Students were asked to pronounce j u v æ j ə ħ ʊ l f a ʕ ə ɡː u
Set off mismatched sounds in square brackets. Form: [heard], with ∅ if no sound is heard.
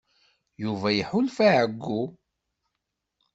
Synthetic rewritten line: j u v æ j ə ħ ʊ l f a ʕ ə ɡː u